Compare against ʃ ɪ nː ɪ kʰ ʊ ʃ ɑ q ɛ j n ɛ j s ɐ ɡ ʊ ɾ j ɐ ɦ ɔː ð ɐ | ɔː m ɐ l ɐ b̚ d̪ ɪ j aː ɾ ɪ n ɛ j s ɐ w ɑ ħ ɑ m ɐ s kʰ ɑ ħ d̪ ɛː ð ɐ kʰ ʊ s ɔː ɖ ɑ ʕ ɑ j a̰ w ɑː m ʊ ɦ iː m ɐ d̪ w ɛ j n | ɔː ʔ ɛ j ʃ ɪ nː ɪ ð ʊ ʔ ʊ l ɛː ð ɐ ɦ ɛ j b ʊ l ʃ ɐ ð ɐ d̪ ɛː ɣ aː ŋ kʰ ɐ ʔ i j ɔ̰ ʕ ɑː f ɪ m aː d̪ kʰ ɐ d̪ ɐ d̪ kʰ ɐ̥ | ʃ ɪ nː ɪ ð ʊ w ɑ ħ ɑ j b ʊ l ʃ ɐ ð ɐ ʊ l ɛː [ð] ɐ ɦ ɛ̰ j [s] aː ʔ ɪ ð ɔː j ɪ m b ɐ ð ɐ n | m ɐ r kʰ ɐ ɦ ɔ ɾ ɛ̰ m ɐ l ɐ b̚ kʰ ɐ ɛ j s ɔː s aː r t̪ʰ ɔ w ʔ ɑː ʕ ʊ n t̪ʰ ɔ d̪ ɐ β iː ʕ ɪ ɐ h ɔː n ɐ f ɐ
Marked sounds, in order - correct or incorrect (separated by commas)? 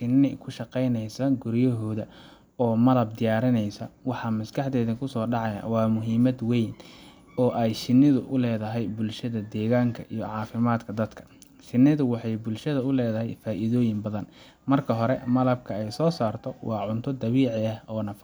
correct, incorrect